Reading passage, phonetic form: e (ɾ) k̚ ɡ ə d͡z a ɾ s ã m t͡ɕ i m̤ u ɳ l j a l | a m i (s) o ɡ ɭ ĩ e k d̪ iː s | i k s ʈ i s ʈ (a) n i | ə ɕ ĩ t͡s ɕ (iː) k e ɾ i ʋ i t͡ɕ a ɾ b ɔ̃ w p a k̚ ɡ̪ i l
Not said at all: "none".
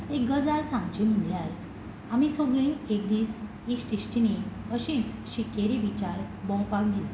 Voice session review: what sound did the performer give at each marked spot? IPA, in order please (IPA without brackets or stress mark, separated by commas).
none, s, i, i